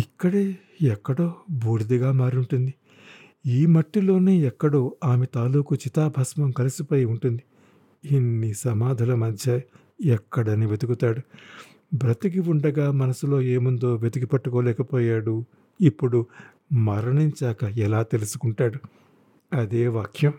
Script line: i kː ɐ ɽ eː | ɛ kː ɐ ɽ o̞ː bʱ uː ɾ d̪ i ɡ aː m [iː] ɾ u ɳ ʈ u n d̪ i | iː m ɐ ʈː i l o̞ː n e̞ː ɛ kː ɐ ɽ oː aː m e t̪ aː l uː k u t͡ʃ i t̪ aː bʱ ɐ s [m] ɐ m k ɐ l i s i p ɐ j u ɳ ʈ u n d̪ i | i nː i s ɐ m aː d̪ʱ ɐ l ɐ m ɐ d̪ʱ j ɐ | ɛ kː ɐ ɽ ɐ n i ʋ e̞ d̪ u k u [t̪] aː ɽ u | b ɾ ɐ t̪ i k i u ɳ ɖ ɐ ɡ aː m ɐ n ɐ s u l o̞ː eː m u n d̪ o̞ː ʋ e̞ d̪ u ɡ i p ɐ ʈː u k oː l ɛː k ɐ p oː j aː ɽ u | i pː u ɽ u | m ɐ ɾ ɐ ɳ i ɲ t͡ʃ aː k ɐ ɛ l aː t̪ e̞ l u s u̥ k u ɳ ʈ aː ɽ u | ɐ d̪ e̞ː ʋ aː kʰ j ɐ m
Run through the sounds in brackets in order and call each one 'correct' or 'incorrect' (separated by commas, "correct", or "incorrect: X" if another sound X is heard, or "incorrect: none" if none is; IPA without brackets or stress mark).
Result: incorrect: aː, correct, correct